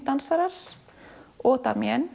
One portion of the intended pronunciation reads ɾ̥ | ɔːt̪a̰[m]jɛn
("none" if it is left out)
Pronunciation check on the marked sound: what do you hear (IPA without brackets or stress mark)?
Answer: m